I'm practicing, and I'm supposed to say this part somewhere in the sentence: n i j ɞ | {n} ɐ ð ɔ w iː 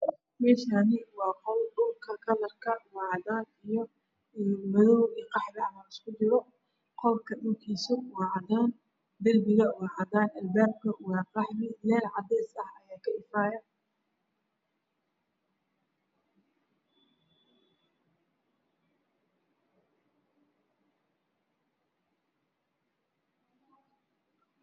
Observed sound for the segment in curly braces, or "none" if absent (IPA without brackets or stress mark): m